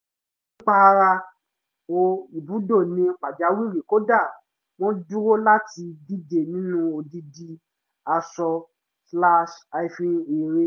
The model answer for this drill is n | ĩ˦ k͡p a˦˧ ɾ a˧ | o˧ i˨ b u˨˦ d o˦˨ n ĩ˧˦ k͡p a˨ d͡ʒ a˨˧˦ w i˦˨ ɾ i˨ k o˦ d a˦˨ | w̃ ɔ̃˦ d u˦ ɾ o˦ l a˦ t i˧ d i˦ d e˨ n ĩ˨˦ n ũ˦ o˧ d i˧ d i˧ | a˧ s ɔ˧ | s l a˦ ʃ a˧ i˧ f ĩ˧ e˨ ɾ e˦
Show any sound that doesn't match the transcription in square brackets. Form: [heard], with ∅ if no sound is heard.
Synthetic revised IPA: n | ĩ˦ k͡p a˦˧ ɾ a˧ | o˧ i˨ b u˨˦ d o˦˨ n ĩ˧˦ k͡p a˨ d͡ʒ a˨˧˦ w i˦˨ ɾ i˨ k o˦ d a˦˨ | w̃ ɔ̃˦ d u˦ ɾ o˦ l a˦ t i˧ d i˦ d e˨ n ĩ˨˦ n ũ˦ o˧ d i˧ d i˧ | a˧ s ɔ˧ | s l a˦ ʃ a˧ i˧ f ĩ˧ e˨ ɾ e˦